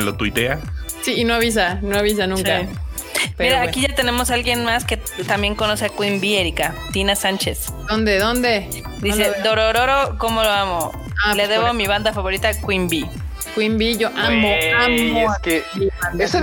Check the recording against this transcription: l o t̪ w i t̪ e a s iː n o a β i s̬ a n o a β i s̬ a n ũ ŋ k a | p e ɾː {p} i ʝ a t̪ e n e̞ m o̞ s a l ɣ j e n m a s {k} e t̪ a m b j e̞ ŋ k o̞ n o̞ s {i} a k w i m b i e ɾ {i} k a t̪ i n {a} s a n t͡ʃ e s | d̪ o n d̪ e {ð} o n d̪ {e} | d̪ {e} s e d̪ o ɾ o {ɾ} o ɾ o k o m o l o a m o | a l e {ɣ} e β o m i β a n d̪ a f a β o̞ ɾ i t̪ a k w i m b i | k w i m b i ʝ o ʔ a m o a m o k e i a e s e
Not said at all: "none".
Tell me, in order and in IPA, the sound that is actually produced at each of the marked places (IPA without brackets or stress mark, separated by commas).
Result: k, k, e, i, a, ð, e, i, ɾ, ð